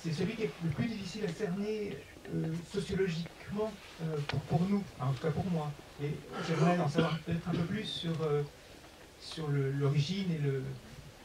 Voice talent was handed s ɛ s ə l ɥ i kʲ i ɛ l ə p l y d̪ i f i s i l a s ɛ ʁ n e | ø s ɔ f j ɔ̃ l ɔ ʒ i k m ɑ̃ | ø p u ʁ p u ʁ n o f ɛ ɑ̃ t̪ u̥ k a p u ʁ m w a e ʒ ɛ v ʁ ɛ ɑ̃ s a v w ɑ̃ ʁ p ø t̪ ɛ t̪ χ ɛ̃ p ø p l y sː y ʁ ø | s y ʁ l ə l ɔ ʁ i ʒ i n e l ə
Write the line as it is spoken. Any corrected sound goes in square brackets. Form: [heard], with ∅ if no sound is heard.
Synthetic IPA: s ɛ s ə l ɥ i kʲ i ɛ l ə p l y d̪ i f i s i l a s ɛ ʁ n e | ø s ɔ [s] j [ɔ] l ɔ ʒ i k m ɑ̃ | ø p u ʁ p u ʁ n [u] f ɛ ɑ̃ t̪ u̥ k a p u ʁ m w a e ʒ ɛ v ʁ ɛ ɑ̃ s a v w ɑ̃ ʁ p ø t̪ ɛ t̪ χ ɛ̃ p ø p l y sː y ʁ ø | s y ʁ l ə l ɔ ʁ i ʒ i n e l ə